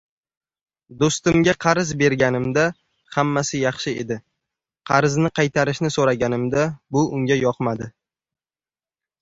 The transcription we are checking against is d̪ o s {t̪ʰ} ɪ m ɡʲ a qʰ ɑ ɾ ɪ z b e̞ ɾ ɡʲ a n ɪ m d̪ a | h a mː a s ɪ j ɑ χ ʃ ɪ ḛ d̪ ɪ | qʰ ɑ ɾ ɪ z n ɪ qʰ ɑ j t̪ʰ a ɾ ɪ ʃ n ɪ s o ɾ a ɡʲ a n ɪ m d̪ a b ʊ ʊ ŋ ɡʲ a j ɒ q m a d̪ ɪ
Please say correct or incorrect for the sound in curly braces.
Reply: incorrect